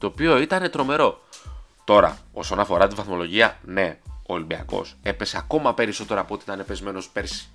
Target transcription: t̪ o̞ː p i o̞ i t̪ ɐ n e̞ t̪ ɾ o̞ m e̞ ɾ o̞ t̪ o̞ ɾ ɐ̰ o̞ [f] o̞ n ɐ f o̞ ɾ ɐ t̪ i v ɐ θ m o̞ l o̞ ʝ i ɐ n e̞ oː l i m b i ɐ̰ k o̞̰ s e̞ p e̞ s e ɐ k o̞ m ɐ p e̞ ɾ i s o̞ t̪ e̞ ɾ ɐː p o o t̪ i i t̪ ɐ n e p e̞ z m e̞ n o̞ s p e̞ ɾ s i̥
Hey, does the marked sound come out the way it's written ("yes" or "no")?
no